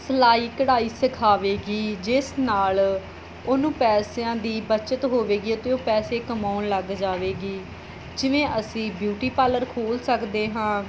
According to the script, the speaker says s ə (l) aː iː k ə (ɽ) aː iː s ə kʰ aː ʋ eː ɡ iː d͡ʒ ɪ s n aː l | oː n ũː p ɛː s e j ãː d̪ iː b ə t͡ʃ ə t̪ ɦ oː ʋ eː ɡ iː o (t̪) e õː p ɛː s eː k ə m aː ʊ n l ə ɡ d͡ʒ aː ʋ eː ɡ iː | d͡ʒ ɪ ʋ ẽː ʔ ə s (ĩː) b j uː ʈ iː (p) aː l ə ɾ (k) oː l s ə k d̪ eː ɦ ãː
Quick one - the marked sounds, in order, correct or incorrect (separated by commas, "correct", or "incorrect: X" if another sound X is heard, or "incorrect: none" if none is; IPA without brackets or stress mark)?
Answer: correct, correct, correct, correct, correct, incorrect: kʰ